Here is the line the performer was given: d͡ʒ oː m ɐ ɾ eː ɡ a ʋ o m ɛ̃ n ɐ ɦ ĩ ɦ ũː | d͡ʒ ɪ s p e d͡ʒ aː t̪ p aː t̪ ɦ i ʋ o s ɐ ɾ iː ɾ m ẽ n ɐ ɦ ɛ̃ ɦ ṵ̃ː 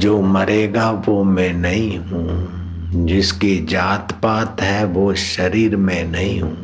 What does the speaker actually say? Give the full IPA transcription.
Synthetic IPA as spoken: d͡ʒ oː m ɐ ɾ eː ɡ a ʋ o m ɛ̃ n ɐ ɦ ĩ ɦ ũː | d͡ʒ ɪ s k e d͡ʒ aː t̪ p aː t̪ ɦ ɛ ʋ o ʃ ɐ ɾ iː ɾ m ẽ n ɐ ɦ ĩ ɦ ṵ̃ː